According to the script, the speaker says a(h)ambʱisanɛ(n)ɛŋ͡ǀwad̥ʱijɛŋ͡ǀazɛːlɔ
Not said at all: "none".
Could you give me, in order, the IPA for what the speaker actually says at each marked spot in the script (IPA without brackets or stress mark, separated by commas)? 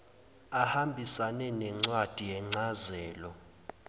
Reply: h, n